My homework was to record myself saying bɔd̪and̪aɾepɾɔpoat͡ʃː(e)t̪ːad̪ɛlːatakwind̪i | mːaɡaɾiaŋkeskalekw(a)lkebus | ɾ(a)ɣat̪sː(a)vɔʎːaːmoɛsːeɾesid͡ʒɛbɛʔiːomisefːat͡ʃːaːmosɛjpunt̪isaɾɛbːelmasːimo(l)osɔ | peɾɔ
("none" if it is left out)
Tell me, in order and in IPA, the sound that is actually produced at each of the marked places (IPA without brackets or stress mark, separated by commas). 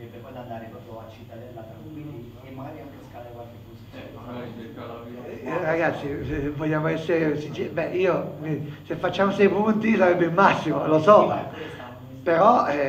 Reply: i, a, a, i, l